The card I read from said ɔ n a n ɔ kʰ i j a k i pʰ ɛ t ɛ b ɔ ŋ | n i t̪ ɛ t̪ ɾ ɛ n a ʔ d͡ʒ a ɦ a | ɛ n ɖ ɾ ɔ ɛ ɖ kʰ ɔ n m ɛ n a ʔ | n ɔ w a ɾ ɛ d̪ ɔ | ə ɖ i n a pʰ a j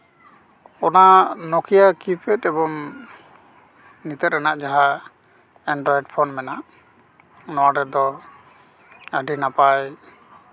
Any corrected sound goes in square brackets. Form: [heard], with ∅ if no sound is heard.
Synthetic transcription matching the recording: ɔ n a n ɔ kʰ i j a k i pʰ ɛ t ɛ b ɔ ŋ | n i t̪ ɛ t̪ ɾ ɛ n a ʔ d͡ʒ a ɦ a | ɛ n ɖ ɾ ɔ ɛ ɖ [pʰ] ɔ n m ɛ n a ʔ | n ɔ w a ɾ ɛ d̪ ɔ | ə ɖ i n a [p] a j